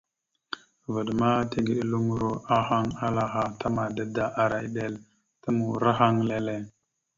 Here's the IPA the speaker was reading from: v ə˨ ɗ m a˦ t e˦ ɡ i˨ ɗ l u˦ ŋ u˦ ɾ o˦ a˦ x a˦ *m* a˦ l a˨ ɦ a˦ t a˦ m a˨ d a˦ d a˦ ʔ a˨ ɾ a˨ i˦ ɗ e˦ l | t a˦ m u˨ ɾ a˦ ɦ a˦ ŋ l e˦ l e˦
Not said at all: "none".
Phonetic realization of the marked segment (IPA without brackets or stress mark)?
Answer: ŋ